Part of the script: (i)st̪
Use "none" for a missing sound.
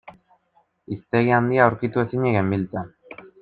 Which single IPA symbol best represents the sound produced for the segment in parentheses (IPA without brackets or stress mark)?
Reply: i